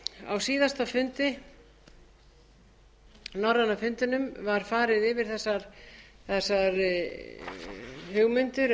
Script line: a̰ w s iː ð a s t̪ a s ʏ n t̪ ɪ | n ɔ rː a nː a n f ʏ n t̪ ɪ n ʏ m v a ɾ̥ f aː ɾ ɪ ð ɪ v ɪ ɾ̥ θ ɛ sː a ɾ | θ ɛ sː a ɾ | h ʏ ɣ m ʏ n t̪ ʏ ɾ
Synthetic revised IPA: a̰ w s iː ð a s t̪ a f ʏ n t̪ ɪ | n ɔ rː a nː a f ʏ n t̪ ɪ n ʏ m v a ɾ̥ f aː ɾ ɪ ð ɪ v ɪ ɾ̥ θ ɛ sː a ɾ | θ ɛ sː a ɾ | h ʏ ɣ m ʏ n t̪ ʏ ɾ